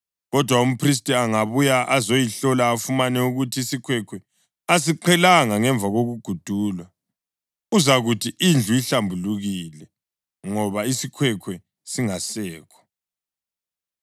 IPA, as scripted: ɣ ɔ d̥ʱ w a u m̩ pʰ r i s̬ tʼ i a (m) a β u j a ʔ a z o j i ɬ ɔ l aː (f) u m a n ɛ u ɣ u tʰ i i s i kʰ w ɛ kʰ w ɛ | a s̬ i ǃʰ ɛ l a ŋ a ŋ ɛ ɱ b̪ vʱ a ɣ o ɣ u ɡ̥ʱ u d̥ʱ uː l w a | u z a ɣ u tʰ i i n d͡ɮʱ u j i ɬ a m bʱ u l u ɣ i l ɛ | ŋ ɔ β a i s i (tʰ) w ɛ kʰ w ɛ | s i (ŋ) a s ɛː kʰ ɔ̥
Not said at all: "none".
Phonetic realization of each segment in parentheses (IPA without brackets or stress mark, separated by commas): ŋ, f, kʰ, ŋ